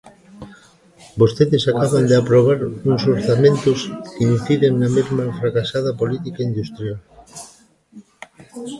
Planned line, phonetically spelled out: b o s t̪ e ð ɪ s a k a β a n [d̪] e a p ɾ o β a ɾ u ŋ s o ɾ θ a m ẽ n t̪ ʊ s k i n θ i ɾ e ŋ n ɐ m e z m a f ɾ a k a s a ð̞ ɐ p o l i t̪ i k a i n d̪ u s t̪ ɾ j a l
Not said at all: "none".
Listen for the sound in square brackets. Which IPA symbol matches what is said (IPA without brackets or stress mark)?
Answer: d̪